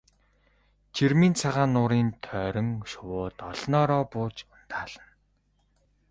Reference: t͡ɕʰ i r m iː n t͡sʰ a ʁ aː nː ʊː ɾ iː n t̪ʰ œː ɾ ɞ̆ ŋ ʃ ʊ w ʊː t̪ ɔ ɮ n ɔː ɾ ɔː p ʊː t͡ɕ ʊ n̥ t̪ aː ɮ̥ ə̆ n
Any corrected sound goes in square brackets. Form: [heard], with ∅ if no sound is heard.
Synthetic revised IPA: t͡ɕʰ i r m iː n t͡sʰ a ʁ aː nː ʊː ɾ iː n t̪ʰ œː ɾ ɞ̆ ŋ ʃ ʊ w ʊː t̪ ɔ ɮ n ɔː ɾ ɔː p ʊː t͡ɕ ʊ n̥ t̪ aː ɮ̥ ə̆ n